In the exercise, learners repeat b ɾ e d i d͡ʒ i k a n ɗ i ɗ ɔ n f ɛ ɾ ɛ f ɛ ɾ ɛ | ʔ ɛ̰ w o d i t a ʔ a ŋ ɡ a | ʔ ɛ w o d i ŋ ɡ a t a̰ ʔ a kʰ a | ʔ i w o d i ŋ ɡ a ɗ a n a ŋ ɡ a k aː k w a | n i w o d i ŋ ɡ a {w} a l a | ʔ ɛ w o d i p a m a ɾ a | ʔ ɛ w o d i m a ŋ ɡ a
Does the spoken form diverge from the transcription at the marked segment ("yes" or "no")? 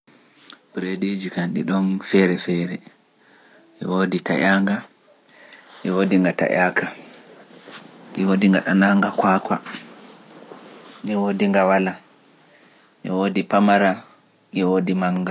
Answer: no